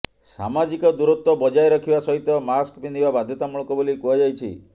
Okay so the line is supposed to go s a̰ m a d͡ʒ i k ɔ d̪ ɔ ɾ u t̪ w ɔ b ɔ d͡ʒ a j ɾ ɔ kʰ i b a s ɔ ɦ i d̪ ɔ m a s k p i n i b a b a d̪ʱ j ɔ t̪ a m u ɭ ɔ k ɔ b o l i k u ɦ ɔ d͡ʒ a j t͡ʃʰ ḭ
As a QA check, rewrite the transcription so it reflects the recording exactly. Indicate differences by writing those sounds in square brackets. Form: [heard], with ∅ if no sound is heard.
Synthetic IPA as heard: s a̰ m a d͡ʒ i k ɔ d̪ [u] ɾ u t̪ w ɔ b ɔ d͡ʒ a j ɾ ɔ kʰ i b a s ɔ ɦ i [t̪] ɔ m a s k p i n i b a b a d̪ʱ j ɔ t̪ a m u ɭ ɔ k ɔ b o l i k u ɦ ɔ d͡ʒ a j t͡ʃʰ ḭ